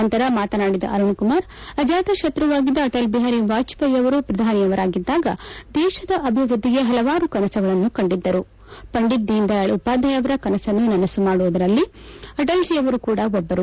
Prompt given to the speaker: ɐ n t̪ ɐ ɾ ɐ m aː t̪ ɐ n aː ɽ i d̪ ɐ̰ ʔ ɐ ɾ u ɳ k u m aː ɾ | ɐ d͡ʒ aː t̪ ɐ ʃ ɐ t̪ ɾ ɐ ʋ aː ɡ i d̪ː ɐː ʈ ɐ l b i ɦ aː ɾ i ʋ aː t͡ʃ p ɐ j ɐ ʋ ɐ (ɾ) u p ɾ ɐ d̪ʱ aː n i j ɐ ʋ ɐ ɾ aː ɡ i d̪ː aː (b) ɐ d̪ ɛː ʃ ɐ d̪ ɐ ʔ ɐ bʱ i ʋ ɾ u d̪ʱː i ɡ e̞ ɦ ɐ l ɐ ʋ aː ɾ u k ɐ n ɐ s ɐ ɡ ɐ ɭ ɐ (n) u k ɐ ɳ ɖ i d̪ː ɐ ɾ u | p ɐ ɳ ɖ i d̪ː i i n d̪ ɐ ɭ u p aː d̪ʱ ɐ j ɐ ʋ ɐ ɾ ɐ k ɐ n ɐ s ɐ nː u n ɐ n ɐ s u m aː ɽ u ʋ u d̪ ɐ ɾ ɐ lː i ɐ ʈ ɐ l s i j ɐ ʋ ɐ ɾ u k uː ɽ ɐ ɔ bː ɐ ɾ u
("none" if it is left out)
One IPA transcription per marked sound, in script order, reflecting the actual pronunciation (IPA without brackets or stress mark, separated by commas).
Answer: ɾ, ɡ, nː